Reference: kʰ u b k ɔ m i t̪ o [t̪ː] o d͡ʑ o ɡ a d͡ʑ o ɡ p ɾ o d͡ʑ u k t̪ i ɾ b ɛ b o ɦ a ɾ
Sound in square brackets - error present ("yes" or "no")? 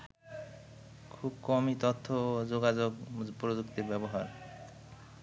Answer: yes